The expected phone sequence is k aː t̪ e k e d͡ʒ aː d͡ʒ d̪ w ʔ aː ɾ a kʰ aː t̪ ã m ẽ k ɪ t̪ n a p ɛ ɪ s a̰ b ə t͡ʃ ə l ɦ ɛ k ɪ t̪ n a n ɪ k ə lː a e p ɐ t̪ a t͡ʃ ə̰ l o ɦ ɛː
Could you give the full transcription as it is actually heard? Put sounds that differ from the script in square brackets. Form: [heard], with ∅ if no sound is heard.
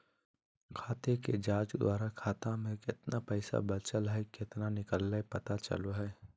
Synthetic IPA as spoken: [kʰ] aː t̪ e k e d͡ʒ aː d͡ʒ d̪ w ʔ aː ɾ a kʰ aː t̪ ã m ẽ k ɪ t̪ n a p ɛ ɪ s a̰ b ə t͡ʃ ə l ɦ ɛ k ɪ t̪ n a n ɪ k ə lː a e p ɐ t̪ a t͡ʃ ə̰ l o ɦ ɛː